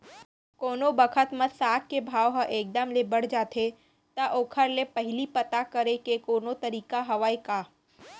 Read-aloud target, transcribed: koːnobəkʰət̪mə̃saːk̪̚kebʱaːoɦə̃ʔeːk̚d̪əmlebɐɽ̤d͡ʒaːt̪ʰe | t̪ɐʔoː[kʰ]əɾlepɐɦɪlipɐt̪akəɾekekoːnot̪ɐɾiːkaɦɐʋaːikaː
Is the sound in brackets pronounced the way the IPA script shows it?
yes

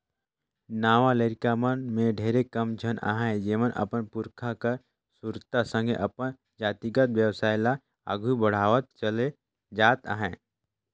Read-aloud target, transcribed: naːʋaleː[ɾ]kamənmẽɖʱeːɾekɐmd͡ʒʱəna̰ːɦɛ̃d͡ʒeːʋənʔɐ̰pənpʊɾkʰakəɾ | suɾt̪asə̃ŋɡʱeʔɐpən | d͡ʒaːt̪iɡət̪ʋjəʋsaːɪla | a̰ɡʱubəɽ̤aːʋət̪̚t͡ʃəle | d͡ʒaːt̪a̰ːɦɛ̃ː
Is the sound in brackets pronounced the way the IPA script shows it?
yes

